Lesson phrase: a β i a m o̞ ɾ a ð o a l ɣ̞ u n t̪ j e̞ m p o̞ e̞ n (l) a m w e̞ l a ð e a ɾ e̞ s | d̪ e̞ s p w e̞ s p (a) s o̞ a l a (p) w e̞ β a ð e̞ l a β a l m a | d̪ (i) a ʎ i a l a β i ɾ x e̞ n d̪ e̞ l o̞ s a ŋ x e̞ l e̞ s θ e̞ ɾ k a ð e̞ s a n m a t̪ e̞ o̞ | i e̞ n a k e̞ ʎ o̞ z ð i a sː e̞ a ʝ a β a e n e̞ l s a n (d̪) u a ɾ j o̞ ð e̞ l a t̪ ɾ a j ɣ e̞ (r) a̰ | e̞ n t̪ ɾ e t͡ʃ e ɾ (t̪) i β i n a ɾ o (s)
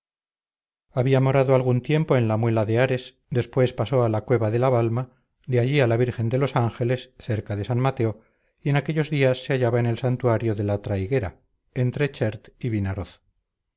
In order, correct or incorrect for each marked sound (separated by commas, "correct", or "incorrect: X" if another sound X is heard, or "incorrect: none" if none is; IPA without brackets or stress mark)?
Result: correct, correct, incorrect: k, incorrect: e, incorrect: t̪, incorrect: ɾ, correct, incorrect: θ